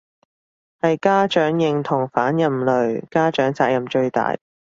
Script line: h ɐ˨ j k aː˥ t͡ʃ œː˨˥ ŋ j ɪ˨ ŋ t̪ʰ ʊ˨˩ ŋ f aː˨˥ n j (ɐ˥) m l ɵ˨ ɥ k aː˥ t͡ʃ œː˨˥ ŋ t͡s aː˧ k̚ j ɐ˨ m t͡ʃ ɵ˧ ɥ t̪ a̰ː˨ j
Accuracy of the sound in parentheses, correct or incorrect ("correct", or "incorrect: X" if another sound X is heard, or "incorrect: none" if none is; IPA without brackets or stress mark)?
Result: incorrect: ɐ˨